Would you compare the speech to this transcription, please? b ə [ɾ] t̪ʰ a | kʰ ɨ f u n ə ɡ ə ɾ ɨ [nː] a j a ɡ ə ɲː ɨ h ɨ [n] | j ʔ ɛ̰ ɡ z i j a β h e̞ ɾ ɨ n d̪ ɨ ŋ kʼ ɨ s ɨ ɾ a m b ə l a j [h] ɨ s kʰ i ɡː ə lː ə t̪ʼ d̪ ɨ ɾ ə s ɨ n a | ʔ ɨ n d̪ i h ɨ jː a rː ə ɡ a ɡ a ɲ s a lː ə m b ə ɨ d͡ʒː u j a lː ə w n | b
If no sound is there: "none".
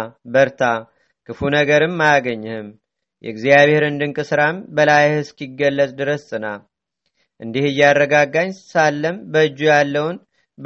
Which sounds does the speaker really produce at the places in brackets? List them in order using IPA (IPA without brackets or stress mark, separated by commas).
ɾ, mː, m, h